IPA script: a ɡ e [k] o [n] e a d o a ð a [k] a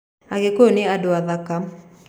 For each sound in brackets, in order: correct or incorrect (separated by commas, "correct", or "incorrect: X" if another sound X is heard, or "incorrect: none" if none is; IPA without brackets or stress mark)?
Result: correct, correct, correct